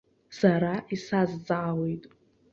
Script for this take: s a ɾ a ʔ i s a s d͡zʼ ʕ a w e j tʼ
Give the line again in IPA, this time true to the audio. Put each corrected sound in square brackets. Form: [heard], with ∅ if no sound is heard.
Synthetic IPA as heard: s a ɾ a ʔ i s a [z] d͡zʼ ʕ a w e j tʼ